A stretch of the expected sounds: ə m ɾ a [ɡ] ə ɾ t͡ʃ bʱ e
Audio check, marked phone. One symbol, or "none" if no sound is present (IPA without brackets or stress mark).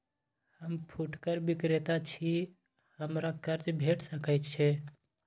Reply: k